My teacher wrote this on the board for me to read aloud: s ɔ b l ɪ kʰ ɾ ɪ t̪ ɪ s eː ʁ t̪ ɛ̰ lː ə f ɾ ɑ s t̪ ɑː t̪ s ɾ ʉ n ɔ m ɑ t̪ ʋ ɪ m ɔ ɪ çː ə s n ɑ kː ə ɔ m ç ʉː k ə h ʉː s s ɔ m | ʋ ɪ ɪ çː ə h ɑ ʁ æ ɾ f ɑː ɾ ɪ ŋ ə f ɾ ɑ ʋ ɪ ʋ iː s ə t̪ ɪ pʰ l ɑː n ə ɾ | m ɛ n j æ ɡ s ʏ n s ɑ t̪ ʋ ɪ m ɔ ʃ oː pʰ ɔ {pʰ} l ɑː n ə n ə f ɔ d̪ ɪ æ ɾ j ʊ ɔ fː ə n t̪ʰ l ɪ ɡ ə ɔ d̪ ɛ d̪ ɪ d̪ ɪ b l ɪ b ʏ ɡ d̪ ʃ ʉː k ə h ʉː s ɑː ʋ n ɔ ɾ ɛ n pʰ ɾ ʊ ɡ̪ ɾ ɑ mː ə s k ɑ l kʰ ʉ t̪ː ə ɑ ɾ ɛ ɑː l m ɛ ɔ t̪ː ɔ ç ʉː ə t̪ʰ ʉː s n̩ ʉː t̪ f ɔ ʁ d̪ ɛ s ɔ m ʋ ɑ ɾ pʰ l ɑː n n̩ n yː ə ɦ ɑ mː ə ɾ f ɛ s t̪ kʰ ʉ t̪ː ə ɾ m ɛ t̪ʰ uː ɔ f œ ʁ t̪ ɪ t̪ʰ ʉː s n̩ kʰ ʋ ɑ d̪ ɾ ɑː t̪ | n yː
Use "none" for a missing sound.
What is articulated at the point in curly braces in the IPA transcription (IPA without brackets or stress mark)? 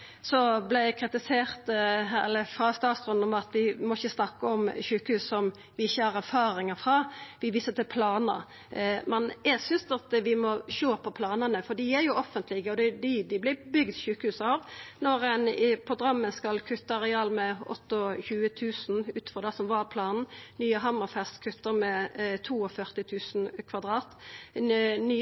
pʰ